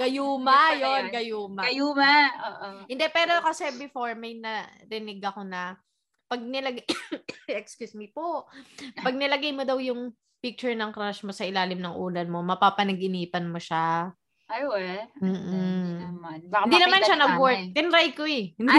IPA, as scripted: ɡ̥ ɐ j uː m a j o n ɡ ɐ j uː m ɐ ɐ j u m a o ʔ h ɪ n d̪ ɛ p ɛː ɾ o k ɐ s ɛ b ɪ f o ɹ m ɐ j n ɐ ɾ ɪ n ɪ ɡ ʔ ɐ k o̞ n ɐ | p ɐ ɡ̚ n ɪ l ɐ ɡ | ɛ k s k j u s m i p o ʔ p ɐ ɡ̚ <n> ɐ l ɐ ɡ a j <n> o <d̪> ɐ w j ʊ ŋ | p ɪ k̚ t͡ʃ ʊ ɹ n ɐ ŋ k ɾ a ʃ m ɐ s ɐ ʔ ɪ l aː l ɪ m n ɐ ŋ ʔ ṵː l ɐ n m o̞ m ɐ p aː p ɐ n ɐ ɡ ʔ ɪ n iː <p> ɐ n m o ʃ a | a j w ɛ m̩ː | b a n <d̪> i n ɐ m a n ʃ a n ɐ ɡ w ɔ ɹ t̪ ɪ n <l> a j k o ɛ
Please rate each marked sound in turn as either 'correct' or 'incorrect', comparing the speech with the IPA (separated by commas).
correct, incorrect, correct, correct, correct, incorrect